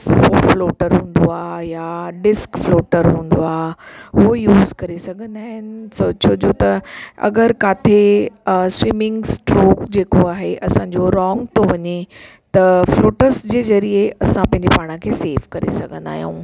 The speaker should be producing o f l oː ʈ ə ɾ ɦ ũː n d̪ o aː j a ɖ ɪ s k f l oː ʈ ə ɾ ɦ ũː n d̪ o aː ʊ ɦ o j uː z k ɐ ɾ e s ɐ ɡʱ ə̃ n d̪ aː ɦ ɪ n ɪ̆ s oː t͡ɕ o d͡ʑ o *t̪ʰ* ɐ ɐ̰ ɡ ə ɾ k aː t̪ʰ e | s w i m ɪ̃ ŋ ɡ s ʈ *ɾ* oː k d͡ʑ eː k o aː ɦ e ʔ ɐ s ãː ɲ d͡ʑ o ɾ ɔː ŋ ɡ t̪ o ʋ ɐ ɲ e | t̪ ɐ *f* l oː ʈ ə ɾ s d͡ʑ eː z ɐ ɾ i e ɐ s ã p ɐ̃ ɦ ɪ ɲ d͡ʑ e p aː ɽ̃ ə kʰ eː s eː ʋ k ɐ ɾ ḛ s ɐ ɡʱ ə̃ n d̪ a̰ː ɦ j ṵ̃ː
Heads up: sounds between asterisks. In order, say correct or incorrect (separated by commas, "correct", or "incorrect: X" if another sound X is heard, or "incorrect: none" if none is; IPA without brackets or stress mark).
incorrect: t̪, correct, correct